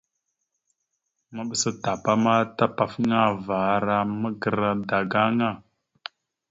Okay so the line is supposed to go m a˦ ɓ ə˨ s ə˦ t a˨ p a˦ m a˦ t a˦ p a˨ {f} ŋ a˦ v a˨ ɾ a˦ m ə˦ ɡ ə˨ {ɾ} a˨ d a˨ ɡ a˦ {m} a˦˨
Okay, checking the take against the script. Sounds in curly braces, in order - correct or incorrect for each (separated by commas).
correct, correct, incorrect